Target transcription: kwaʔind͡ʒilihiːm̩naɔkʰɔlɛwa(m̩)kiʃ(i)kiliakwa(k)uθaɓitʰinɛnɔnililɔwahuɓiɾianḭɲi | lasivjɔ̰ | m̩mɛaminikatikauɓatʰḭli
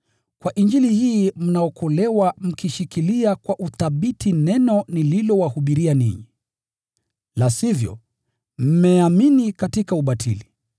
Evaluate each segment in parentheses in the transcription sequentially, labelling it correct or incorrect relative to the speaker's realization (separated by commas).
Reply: correct, correct, incorrect